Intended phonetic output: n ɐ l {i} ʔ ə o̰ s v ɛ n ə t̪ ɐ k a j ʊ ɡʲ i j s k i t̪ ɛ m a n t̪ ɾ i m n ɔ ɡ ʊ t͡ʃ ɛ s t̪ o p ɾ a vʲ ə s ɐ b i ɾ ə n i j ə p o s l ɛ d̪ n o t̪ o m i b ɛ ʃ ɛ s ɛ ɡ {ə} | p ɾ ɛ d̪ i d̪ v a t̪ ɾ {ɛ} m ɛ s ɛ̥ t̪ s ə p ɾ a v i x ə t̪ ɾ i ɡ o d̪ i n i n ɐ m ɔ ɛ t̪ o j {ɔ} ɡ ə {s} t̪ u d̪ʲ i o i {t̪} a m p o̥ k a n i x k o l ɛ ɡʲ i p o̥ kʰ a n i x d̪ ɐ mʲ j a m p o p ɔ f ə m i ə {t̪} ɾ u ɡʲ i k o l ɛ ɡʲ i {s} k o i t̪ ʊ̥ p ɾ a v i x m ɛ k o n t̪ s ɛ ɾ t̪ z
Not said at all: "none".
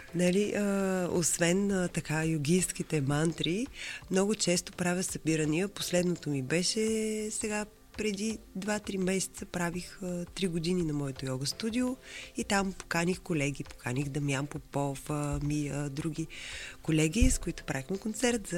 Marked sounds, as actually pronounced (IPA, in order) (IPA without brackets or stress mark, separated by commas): i, a, i, ɔ, s, t̪, d̪, s